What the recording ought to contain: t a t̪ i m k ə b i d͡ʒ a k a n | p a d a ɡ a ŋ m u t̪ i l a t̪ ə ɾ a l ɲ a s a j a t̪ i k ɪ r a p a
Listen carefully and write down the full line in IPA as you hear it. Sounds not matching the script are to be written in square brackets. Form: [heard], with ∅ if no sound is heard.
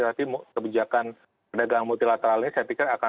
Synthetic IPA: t a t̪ i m k ə b i d͡ʒ a k a n | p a d a ɡ a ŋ m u t̪ i l a t̪ ə ɾ a l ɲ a s a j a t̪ i k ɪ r a [k] a

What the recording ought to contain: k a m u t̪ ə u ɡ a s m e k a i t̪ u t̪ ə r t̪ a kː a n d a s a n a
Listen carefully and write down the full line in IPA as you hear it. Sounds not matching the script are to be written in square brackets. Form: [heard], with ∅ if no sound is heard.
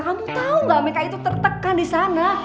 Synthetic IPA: k a m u t̪ [a] u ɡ a [∅] m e k a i t̪ u t̪ ə r t̪ [ə] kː a n d [i] s a n a

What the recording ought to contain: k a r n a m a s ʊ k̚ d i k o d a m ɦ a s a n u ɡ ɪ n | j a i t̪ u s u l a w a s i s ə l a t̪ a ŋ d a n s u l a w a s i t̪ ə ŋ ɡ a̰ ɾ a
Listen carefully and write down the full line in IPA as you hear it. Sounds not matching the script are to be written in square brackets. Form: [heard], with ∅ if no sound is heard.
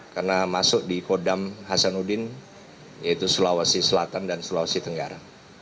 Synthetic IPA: k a r n a m a s ʊ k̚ d i k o d a m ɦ a s a n u [d] ɪ n | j a i t̪ u s u l a w a s i s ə l a t̪ a [n] d a n s u l a w a s i t̪ ə ŋ ɡ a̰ ɾ a

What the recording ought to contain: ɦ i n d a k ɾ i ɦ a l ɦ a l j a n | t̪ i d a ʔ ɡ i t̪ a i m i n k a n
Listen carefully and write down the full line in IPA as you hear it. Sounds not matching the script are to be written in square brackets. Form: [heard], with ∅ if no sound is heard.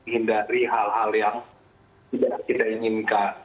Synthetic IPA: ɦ i n d a [∅] ɾ i ɦ a l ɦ a l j a [ŋ] | t̪ i d a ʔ [k] i t̪ a i [ŋ] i n k a n

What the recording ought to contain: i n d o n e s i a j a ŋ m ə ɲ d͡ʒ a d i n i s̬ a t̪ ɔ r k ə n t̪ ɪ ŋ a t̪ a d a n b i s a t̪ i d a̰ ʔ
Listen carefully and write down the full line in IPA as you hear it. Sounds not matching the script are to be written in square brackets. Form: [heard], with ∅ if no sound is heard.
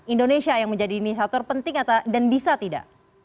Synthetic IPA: i n d o n e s i a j a ŋ m ə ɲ d͡ʒ a d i n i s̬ a t̪ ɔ r [p] ə n t̪ ɪ ŋ a t̪ a d a n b i s a t̪ i d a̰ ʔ

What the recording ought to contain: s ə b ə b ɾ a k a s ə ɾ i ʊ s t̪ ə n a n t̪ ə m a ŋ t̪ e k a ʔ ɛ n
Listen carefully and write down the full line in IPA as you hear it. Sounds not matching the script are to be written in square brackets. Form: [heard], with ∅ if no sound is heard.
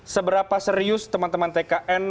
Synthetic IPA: s ə b ə [∅] ɾ a [p] a s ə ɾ i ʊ s t̪ ə [m] a n t̪ ə m a [n] t̪ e k a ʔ ɛ n

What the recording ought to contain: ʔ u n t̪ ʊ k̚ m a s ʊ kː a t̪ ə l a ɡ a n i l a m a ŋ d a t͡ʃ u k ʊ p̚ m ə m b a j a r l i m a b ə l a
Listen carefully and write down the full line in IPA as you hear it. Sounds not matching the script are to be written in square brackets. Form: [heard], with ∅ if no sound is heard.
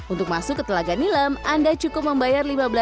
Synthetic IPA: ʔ u n t̪ ʊ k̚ m a s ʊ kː [ə] t̪ ə l a ɡ a n i l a m a [n] d a t͡ʃ u k ʊ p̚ m ə m b a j a r l i m a b ə l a

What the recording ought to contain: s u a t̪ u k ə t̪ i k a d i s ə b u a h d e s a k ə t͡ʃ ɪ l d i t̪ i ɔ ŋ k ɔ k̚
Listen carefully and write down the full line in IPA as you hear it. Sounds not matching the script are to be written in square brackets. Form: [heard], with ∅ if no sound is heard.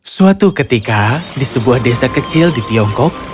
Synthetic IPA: s u a t̪ u k ə t̪ i k a d i s ə b u a h d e s a k ə t͡ʃ ɪ l d i t̪ i ɔ ŋ k ɔ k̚

